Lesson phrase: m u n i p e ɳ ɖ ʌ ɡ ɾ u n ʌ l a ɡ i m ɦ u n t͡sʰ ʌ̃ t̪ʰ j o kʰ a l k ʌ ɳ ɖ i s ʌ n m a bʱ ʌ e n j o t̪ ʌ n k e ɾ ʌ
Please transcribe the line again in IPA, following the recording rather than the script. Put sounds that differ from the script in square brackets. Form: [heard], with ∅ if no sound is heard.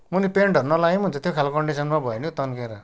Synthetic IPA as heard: m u n i p e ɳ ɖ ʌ [∅] ɾ u n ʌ l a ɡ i m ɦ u n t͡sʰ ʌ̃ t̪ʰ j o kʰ a l k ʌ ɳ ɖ i s ʌ n m a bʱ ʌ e n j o t̪ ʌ n k e ɾ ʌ